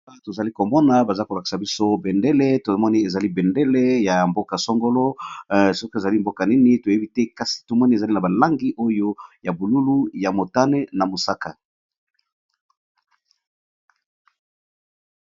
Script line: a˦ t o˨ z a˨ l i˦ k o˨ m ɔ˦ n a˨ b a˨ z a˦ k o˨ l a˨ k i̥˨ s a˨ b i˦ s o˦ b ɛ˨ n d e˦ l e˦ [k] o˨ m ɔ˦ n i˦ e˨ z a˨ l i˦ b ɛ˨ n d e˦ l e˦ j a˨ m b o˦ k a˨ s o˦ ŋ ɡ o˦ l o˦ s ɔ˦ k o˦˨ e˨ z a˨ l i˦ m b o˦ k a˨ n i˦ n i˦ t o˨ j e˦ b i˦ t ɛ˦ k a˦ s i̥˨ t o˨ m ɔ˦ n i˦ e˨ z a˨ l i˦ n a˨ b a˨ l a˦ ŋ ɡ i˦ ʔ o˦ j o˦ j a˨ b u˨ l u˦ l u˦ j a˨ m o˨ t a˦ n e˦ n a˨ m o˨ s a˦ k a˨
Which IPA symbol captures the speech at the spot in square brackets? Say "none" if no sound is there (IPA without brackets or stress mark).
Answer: t